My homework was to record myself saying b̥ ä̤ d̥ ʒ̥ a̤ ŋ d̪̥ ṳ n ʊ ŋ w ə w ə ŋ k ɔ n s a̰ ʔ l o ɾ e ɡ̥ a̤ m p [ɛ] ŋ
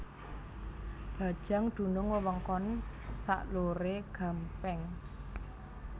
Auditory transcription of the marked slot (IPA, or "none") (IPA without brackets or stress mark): ɛ